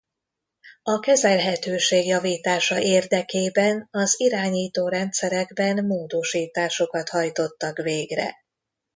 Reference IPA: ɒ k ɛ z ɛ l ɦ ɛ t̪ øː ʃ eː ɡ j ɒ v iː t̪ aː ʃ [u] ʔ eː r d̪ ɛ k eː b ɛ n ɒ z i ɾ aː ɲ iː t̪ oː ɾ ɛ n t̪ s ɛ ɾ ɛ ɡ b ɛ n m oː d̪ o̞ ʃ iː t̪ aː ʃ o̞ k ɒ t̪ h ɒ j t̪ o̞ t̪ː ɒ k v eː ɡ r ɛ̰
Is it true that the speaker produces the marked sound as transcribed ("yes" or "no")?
no